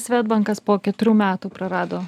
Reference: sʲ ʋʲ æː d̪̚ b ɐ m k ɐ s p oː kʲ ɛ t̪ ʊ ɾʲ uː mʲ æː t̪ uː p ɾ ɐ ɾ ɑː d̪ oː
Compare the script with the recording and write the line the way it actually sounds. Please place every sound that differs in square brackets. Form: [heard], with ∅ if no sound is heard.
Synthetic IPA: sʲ ʋʲ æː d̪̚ b ɐ [ŋ] k ɐ s p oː kʲ ɛ t̪ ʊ ɾʲ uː mʲ æː t̪ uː p ɾ ɐ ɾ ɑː d̪ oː